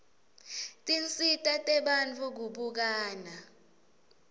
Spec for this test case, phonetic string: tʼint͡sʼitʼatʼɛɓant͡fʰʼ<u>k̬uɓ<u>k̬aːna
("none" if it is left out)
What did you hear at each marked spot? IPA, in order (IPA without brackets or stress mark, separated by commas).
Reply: u, u